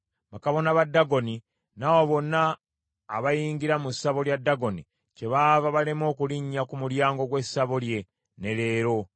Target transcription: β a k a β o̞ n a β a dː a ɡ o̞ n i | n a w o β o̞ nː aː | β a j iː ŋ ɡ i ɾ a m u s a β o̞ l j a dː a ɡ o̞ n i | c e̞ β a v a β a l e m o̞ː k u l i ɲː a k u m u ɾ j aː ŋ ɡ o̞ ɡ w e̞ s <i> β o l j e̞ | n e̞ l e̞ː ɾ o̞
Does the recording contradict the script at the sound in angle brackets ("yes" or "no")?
yes